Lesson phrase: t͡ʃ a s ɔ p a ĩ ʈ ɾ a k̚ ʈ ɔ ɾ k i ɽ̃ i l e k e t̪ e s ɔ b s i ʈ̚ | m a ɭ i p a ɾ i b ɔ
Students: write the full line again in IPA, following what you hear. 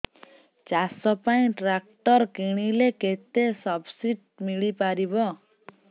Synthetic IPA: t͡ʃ a s ɔ p a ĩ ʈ ɾ a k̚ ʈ ɔ ɾ k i ɽ̃ i l e k e t̪ e s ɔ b s i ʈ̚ | m i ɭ i p a ɾ i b ɔ